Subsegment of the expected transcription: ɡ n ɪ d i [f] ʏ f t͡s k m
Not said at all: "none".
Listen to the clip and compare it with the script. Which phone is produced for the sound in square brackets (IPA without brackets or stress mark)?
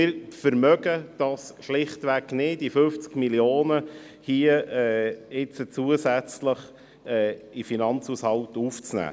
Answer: f